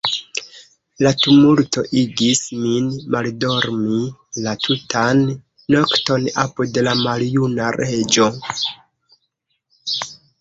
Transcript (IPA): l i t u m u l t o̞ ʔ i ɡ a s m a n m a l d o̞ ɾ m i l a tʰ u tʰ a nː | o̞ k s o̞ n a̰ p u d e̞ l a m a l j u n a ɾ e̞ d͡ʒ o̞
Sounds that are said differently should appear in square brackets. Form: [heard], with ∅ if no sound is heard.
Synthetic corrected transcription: l [a] t u m u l t o̞ ʔ i ɡ [i] s m [i] n m a l d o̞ ɾ m i l a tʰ u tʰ a nː | o̞ k [t] o̞ n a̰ p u d e̞ l a m a l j u n a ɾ e̞ d͡ʒ o̞